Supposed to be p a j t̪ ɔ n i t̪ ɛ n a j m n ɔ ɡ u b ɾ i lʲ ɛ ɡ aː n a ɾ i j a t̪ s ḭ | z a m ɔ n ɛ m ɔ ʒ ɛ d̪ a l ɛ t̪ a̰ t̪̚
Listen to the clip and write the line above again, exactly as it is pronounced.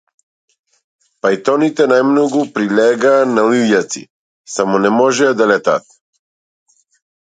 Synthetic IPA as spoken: p a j t̪ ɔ n i t̪ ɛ n a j m n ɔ ɡ u p ɾ i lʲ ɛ ɡ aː n a l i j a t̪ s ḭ | s a m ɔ n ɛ m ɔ ʒ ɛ d̪ a l ɛ t̪ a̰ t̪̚

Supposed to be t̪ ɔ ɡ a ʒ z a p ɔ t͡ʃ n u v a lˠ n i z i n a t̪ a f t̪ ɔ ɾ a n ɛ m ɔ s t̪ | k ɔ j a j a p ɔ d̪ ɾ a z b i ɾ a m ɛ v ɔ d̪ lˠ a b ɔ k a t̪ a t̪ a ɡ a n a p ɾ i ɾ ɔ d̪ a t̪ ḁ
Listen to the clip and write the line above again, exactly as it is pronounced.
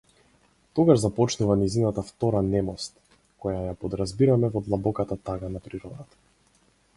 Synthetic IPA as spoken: t̪ ɔ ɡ a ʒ z a p ɔ t͡ʃ n u v a n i z i n a t̪ a f t̪ ɔ ɾ a n ɛ m ɔ s t̪ | k ɔ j a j a p ɔ d̪ ɾ a z b i ɾ a m ɛ v ɔ d̪ lˠ a b ɔ k a t̪ a t̪ a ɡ a n a p ɾ i ɾ ɔ d̪ a t̪ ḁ

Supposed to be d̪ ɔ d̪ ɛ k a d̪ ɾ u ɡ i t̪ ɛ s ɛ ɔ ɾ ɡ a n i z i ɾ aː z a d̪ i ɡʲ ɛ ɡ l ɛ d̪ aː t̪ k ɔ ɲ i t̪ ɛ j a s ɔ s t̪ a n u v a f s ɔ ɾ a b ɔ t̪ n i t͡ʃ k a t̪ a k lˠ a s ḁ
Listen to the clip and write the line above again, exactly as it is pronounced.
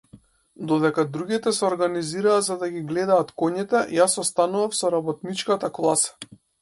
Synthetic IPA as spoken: d̪ ɔ d̪ ɛ k a d̪ ɾ u ɡ i t̪ ɛ s ɛ ɔ ɾ ɡ a n i z i ɾ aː z a d̪ a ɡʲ i ɡ l ɛ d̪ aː t̪ k ɔ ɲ i t̪ ɛ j a s ɔ s t̪ a n u v a f s ɔ ɾ a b ɔ t̪ n i t͡ʃ k a t̪ a k lˠ a s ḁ

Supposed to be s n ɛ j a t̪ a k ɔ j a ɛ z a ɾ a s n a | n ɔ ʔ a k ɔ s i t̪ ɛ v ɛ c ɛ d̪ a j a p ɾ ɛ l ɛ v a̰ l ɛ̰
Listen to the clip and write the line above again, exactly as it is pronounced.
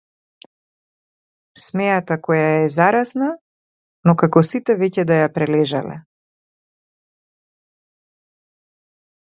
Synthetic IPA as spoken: s m ɛ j a t̪ a k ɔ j a ɛ z a ɾ a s n a | n ɔ k a k ɔ s i t̪ ɛ v ɛ c ɛ d̪ a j a p ɾ ɛ l ɛ ʒ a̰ l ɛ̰

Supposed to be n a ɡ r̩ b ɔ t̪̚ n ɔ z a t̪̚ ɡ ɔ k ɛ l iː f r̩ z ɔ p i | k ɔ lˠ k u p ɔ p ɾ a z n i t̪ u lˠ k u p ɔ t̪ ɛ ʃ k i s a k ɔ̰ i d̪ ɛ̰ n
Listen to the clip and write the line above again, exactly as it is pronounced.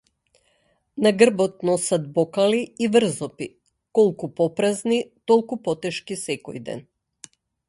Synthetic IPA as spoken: n a ɡ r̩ b ɔ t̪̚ n ɔ s a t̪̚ b ɔ k a l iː v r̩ z ɔ p i | k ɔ lˠ k u p ɔ p ɾ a z n i t̪ ɔ lˠ k u p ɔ t̪ ɛ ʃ k i s ɛ k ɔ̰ j d̪ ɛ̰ n

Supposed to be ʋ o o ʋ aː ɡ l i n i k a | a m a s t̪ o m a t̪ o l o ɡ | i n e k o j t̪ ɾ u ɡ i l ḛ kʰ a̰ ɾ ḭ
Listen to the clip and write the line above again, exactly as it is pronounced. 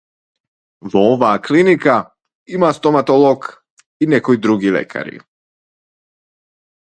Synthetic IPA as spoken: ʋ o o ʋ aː k l i n i k a | i m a s t̪ o m a t̪ o l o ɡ | i n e k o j d̪ ɾ u ɡ i l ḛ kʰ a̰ ɾ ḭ

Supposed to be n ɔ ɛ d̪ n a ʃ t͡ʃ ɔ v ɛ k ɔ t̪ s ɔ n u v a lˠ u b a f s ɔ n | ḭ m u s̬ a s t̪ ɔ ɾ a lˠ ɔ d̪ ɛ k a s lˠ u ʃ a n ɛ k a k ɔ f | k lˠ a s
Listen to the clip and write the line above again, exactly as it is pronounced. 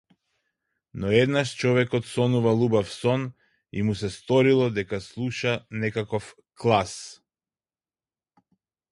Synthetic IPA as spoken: n ɔ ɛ d̪ n a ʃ t͡ʃ ɔ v ɛ k ɔ t̪ s ɔ n u v a lˠ u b a f s ɔ n | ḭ m u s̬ ɛ s t̪ ɔ ɾ i lˠ ɔ d̪ ɛ k a s lˠ u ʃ a n ɛ k a k ɔ f | k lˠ a s

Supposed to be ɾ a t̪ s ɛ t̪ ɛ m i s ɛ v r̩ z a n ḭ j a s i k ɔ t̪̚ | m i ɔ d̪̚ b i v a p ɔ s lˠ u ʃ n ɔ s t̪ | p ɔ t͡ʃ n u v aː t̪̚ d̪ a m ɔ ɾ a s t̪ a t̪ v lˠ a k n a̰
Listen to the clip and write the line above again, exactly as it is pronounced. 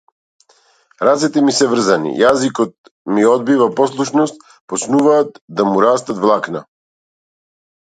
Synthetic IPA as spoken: ɾ a t̪ s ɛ t̪ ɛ m i s ɛ v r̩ z a n ḭ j a z i k ɔ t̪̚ | m i ɔ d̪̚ b i v a p ɔ s lˠ u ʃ n ɔ s t̪ | p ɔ t͡ʃ n u v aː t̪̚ d̪ a m u ɾ a s t̪ a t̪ v lˠ a k n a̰

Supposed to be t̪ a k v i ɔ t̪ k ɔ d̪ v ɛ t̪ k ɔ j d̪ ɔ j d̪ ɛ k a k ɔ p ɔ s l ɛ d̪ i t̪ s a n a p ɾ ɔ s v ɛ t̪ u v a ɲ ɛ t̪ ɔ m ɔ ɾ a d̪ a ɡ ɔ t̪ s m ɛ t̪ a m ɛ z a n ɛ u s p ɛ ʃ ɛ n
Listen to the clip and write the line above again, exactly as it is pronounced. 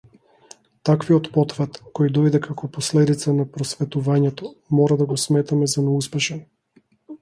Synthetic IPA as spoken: t̪ a k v i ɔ t̪ p ɔ t̪ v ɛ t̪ k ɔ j d̪ ɔ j d̪ ɛ k a k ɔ p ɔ s l ɛ d̪ i t̪ s a n a p ɾ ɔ s v ɛ t̪ u v a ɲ ɛ t̪ ɔ m ɔ ɾ a d̪ a ɡ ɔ s m ɛ t̪ a m ɛ z a n ɛ u s p ɛ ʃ ɛ n

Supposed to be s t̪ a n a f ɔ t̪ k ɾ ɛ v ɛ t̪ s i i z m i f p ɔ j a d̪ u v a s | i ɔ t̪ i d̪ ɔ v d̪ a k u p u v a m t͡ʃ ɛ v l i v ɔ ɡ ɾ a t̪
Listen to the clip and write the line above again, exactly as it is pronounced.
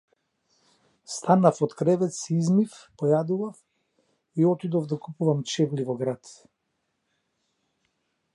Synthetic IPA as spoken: s t̪ a n a f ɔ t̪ k ɾ ɛ v ɛ t̪ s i i z m i f p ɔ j a d̪ u v a f | i ɔ t̪ i d̪ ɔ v d̪ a k u p u v a m t͡ʃ ɛ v l i v ɔ ɡ ɾ a t̪

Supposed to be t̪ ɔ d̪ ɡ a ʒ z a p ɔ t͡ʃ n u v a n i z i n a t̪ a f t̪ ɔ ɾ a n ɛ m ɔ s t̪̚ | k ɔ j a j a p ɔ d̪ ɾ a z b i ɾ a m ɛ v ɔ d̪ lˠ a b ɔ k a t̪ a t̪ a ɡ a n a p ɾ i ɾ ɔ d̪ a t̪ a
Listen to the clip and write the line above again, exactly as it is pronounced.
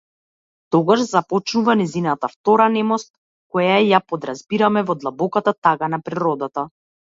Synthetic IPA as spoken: t̪ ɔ ɡ a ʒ z a p ɔ t͡ʃ n u v a n ɛ z i n a t̪ a f t̪ ɔ ɾ a n ɛ m ɔ s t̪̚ | k ɔ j a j a p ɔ d̪ ɾ a z b i ɾ a m ɛ v ɔ d̪ lˠ a b ɔ k a t̪ a t̪ a ɡ a n a p ɾ i ɾ ɔ d̪ a t̪ a

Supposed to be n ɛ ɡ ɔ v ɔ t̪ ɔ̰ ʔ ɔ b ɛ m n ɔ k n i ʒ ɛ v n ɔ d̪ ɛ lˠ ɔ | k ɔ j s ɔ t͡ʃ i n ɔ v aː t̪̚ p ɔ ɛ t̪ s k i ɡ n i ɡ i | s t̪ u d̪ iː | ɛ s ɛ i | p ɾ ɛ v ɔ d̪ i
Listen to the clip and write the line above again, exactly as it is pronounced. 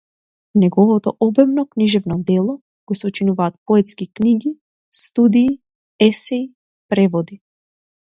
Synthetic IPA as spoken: n ɛ ɡ ɔ v ɔ t̪ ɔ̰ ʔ ɔ b ɛ m n ɔ k n i ʒ ɛ v n ɔ d̪ ɛ lˠ ɔ | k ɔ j s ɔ t͡ʃ i n u v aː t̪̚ p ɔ ɛ t̪ s k i k n i ɡ i | s t̪ u d̪ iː | ɛ s ɛ i | p ɾ ɛ v ɔ d̪ i

